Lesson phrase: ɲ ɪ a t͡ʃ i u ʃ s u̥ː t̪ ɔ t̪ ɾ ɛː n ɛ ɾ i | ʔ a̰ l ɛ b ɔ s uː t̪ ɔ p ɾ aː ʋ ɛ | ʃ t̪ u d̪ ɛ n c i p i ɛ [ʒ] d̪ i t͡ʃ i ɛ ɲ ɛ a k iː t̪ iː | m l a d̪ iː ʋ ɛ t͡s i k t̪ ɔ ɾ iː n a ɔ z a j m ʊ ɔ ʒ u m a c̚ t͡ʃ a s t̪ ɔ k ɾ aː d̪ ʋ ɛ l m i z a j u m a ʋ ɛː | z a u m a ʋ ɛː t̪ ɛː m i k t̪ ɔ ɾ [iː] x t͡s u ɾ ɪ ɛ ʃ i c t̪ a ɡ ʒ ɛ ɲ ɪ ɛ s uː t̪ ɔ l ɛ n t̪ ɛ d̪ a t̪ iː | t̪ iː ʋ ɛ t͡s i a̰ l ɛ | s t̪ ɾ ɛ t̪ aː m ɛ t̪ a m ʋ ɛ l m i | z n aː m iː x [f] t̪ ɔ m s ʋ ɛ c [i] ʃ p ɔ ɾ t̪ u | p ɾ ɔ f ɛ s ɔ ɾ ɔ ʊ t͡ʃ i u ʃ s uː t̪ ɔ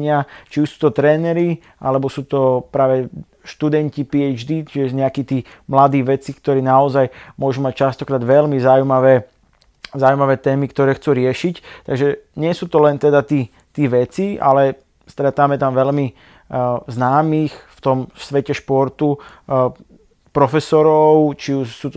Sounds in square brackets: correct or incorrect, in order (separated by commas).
incorrect, incorrect, correct, incorrect